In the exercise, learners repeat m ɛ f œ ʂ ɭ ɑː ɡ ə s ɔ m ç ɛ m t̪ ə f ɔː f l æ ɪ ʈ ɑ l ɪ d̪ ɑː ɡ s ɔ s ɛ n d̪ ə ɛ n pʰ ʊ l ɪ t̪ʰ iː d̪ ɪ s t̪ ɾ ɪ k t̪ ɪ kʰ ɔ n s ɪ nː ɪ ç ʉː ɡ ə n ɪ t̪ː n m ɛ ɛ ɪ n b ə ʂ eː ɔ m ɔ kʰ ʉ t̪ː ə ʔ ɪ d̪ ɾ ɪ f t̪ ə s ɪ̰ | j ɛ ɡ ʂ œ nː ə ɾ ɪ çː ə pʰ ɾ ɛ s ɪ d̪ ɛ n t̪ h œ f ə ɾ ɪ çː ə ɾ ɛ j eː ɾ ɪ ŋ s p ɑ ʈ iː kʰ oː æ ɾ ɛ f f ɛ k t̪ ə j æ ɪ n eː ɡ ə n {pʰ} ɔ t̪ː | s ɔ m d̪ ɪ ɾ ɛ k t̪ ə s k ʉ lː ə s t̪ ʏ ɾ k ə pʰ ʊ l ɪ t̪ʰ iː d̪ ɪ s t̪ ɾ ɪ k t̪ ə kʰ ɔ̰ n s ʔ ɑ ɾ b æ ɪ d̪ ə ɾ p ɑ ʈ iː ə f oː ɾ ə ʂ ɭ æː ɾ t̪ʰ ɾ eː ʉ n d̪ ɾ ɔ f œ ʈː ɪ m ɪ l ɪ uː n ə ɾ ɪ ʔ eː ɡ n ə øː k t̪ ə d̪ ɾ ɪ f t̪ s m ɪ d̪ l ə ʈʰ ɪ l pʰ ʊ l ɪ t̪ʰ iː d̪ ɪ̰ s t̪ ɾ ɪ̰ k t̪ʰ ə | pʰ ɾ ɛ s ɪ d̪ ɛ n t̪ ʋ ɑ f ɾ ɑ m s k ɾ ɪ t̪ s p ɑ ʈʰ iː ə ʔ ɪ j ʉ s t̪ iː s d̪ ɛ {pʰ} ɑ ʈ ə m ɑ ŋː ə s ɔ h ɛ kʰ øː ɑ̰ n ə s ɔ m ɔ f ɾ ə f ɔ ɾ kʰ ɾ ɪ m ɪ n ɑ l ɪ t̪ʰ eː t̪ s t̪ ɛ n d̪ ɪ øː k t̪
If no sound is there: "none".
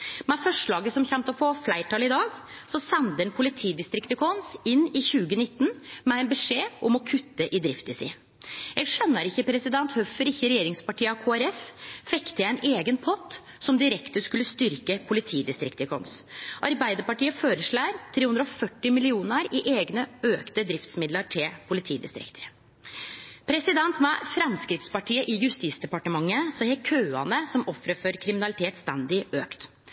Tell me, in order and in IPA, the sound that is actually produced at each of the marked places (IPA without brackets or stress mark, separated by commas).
pʰ, p